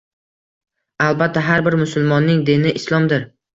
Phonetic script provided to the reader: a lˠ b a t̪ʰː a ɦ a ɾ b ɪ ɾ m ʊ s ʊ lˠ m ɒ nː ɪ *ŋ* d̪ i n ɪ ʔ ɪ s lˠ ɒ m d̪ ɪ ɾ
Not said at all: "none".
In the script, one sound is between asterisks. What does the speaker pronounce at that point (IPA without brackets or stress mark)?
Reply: ŋ